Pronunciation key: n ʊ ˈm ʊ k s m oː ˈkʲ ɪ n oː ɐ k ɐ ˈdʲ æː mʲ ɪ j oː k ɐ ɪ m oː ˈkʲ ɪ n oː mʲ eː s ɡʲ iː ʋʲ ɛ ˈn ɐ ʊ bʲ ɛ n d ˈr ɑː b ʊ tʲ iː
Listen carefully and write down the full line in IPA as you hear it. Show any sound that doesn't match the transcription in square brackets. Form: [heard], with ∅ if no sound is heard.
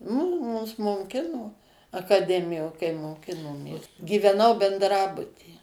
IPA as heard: [m] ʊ ˈm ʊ [∅] s m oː ˈkʲ ɪ n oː ɐ k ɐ ˈdʲ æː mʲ ɪ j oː k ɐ ɪ m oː ˈkʲ ɪ n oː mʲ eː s ɡʲ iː ʋʲ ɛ ˈn ɐ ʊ bʲ ɛ n d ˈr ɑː b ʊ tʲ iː